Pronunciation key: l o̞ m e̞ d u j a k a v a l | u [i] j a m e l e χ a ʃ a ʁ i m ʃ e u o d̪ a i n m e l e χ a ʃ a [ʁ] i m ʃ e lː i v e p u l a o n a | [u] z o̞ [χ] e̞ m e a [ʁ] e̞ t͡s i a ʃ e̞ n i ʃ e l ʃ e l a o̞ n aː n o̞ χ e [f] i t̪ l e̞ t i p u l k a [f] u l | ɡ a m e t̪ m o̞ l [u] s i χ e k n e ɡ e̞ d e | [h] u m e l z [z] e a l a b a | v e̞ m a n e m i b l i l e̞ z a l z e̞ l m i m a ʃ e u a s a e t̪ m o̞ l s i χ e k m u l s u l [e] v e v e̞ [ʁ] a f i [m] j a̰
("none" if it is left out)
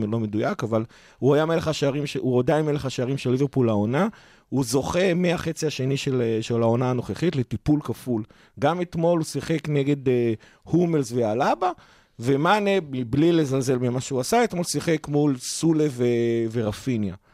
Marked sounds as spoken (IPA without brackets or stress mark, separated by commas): a, ʁ, u, χ, χ, χ, f, u, h, v, e, ʁ, n